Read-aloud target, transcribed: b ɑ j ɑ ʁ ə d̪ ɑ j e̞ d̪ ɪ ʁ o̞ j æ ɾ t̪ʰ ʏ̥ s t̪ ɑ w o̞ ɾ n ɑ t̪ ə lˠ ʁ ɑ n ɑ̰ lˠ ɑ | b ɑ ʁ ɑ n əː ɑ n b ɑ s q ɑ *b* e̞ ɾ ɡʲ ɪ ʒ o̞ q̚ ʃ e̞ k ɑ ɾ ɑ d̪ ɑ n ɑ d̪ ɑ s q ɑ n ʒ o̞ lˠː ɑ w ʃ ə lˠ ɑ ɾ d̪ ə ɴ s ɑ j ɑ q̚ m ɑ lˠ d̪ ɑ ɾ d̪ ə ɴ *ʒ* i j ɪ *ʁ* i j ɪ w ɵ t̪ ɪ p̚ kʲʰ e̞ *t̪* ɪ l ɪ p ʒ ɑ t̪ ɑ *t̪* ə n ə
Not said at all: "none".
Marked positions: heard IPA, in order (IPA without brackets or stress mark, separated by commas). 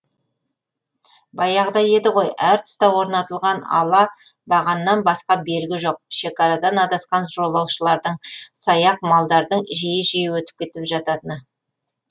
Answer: b, ʒ, ʒ, t̪, t̪